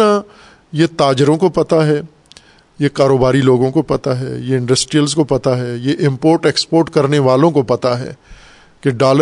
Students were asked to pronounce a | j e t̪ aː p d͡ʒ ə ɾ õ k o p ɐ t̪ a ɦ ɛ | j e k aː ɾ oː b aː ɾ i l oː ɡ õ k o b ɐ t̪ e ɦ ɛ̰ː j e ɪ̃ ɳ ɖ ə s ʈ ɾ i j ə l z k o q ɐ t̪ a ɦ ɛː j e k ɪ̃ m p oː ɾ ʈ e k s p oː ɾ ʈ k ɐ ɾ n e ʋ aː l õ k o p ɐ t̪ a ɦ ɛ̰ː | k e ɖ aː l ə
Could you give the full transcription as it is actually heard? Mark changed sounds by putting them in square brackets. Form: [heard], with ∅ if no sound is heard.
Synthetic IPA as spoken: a | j e t̪ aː [∅] d͡ʒ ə ɾ õ k o p ɐ t̪ a ɦ ɛ | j e k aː ɾ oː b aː ɾ i l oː ɡ õ k o [p] ɐ t̪ [a] ɦ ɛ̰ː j e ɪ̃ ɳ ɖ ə s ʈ ɾ i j ə l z k o [p] ɐ t̪ a ɦ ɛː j e [ʔ] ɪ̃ m p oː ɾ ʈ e k s p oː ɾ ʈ k ɐ ɾ n e ʋ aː l õ k o p ɐ t̪ a ɦ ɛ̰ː | k e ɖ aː l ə